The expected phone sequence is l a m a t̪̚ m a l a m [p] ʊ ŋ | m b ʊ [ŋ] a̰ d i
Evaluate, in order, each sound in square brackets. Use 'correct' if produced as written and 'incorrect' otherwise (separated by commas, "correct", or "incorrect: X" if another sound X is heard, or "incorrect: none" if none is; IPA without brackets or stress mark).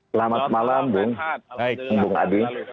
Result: incorrect: b, correct